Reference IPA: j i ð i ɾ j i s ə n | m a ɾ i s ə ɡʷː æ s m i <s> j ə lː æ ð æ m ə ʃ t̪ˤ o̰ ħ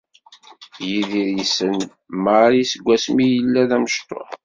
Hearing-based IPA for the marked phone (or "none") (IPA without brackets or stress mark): none